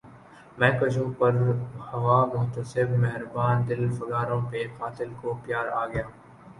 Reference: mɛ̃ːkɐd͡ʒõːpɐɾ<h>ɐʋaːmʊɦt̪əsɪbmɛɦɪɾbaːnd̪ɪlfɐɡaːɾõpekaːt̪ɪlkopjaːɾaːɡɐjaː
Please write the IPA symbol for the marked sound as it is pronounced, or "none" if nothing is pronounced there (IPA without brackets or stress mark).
h